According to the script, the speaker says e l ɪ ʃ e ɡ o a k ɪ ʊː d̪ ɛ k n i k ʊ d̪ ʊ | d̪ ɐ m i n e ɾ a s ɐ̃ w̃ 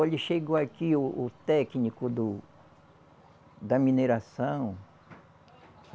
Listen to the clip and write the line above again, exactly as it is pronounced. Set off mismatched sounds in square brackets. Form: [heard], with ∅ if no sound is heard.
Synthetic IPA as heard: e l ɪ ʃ e ɡ o a k [i] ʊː [t̪] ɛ k n i k ʊ d̪ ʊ | d̪ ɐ m i n e ɾ a s ɐ̃ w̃